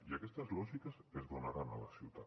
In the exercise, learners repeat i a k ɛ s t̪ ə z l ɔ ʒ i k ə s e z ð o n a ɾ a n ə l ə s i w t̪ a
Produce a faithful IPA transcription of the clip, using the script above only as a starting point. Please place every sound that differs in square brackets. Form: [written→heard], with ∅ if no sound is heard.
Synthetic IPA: i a k ɛ s t̪ ə z l ɔ ʒ i k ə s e z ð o n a ɾ a n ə l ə s i w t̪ a

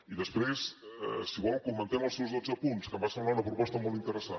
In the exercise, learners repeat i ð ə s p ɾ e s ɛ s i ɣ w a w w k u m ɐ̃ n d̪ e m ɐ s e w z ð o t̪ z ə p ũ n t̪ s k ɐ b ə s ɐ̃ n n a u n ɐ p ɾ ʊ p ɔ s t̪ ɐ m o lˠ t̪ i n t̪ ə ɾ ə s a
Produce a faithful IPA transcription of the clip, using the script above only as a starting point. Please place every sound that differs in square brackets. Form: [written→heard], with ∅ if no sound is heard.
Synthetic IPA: i ð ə s p ɾ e s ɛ s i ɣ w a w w k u m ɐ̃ n [d̪→t̪] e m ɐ s e w z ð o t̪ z [ə→ɐ] p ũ n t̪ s k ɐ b [ə→a] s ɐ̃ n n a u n ɐ p ɾ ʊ p ɔ s t̪ ɐ m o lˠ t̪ i n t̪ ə ɾ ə s a

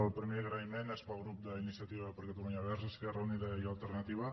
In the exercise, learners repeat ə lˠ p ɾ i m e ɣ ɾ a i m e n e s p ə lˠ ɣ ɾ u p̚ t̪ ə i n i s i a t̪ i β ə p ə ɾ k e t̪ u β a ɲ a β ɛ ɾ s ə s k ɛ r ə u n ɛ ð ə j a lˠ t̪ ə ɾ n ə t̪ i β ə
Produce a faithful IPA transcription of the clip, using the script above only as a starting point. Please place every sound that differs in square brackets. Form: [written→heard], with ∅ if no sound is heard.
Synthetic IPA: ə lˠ p ɾ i m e ɣ ɾ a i m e n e s p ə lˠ ɣ ɾ u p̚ [t̪→d̪] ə i n i s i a t̪ i β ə p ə ɾ k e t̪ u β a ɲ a β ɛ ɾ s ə s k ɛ r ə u n [ɛ→i] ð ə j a lˠ t̪ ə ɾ n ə t̪ i β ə

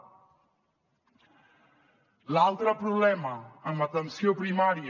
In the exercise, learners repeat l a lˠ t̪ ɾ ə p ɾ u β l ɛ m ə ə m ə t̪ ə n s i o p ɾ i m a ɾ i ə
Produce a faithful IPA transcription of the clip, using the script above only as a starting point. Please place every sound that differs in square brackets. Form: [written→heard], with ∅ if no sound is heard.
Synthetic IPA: l a lˠ t̪ ɾ ə p ɾ u β l ɛ m ə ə m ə t̪ ə n s i o p ɾ i m a ɾ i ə

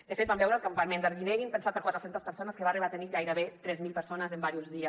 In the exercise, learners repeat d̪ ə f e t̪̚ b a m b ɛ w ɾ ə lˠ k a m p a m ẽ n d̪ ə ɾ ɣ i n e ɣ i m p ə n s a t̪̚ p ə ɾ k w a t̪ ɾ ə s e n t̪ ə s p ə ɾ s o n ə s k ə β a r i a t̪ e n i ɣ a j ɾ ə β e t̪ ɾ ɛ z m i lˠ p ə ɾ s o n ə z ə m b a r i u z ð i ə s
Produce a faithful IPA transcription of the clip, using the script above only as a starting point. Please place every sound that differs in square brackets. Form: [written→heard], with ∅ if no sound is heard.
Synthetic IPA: d̪ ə f e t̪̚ b a m b ɛ w ɾ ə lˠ k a m p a m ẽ n d̪ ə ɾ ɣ i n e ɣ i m p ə n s a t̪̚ p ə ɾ k w a t̪ ɾ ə s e n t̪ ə s p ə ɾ s o n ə s k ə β a r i a t̪ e n i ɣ a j ɾ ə β e t̪ ɾ ɛ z m i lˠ p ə ɾ s o n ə z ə m b a [r→ɾ] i u z ð i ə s

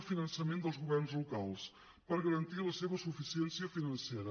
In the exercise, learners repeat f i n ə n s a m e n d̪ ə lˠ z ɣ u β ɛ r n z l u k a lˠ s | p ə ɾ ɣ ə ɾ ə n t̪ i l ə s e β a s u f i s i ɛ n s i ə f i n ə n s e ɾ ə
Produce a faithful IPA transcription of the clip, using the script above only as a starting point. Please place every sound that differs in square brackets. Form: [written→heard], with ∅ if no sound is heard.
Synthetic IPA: f i n ə n s [a→ə] m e n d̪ ə lˠ z ɣ u β ɛ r n z l u k a lˠ s | p ə ɾ ɣ ə ɾ ə n t̪ i l ə s e β [a→ə] s u f i s i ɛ n s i ə f i n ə n s e ɾ ə

